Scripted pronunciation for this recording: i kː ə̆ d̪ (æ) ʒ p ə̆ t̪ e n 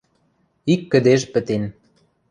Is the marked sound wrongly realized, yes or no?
yes